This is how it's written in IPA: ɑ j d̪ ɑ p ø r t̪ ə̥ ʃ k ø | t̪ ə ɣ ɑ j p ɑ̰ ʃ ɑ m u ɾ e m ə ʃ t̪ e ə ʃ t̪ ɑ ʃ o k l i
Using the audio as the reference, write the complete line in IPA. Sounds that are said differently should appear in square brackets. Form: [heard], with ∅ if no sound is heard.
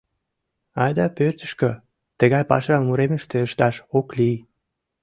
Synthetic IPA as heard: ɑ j d̪ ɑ p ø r t̪ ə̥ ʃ k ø | t̪ ə ɣ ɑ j p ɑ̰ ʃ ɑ m u ɾ e m ə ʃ t̪ e ə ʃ t̪ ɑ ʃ o k l i